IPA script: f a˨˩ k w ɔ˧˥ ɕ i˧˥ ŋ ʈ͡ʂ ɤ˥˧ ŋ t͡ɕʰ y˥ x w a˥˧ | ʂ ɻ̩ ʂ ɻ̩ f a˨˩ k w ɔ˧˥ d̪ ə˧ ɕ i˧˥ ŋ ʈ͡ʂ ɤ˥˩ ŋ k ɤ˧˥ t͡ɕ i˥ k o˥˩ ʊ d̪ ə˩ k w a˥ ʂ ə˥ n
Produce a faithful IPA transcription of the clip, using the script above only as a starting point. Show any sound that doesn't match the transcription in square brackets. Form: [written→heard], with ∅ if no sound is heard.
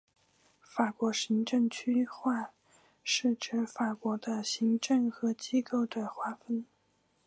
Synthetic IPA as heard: f a˨˩ k w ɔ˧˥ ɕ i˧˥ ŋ ʈ͡ʂ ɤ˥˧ ŋ t͡ɕʰ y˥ x w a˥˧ | ʂ ɻ̩ [ʂ→ʈ͡ʂ] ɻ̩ f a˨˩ k w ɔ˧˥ d̪ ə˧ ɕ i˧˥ ŋ ʈ͡ʂ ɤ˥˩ ŋ [k→x] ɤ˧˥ t͡ɕ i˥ k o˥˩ ʊ d̪ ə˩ [k→x] w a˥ [ʂ→f] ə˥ n